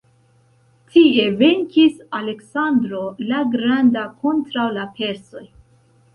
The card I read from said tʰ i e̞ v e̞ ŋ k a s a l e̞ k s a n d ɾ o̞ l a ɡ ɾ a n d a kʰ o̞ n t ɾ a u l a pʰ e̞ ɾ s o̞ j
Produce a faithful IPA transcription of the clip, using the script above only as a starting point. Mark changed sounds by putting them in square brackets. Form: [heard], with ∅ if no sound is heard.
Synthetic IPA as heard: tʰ i e̞ v e̞ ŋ k [i] s a l e̞ k s a n d ɾ o̞ l a ɡ ɾ a n d a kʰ o̞ n t ɾ a [w] l a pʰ e̞ ɾ s o̞ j

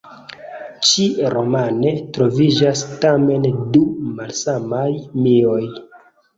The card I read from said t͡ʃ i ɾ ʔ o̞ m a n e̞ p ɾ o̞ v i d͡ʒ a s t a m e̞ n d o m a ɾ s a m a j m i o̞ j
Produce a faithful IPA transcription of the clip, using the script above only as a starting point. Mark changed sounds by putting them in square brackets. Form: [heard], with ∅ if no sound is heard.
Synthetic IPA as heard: t͡ʃ i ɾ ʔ o̞ m a n e̞ [t] ɾ o̞ v i d͡ʒ a s t a m e̞ n d [u] m a [l] s a m a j m i o̞ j

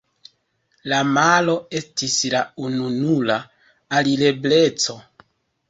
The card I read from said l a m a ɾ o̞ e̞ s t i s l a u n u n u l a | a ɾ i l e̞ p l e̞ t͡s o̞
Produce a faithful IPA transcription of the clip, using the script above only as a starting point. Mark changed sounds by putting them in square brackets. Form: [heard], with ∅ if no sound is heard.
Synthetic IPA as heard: l a m a [l] o̞ e̞ s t i s l a u n u n u l a | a [l] i l e̞ [b] l e̞ t͡s o̞

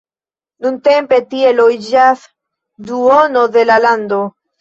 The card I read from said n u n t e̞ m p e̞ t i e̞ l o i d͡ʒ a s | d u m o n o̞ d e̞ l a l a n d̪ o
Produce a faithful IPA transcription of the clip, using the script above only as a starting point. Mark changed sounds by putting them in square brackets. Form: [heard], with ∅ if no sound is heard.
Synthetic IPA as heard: n u n t e̞ m p e̞ t i e̞ l o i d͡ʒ a s | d u [∅] o n o̞ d e̞ l a l a n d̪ o

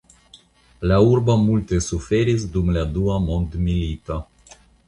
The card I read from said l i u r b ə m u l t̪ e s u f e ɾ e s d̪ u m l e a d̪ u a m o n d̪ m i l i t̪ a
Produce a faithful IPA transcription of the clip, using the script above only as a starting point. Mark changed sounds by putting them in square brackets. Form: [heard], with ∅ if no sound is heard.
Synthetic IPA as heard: l [a] u r b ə m u l t̪ e s u f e ɾ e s d̪ u m l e a d̪ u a m o n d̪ m i l i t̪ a

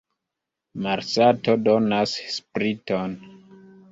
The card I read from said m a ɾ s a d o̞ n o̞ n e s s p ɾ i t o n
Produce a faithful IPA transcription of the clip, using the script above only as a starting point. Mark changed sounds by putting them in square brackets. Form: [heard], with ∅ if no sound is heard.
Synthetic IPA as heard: m a ɾ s a [t] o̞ [d] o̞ n [a] s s p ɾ i t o n

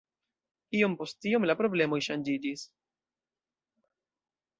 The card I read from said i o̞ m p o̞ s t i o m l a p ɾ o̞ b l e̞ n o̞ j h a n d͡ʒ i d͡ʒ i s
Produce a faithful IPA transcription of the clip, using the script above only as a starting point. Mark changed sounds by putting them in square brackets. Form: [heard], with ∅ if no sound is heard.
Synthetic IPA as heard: i o̞ m p o̞ s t i o m l a p ɾ o̞ b l e̞ [m] o̞ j [ʃ] a n d͡ʒ i d͡ʒ i s

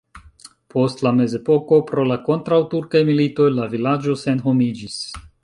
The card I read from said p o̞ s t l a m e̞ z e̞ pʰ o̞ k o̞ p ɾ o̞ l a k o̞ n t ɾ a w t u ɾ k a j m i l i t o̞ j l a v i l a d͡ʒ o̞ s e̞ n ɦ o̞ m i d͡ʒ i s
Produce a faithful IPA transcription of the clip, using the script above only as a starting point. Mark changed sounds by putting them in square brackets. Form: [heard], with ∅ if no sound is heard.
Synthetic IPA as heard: p o̞ s t l a m e̞ z e̞ [p] o̞ k o̞ p ɾ o̞ l a k o̞ n t ɾ a w t u ɾ k a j m i l i t o̞ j l a v i l a d͡ʒ o̞ s e̞ n ɦ o̞ m i d͡ʒ i s

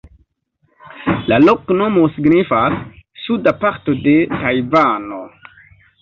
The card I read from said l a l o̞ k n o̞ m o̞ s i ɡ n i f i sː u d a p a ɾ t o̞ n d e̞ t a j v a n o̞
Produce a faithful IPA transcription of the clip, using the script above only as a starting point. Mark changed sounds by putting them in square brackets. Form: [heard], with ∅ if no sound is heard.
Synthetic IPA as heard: l a l o̞ k n o̞ m o̞ s i ɡ n i f [a] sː u d a p a ɾ t o̞ [∅] d e̞ t a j v a n o̞

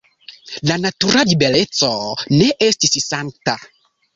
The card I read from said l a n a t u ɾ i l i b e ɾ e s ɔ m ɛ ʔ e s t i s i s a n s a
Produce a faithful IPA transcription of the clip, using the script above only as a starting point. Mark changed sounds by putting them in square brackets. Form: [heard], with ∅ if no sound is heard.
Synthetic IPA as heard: l a n a t u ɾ [a] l i b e [l] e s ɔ [n] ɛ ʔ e s t i s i s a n [t] a

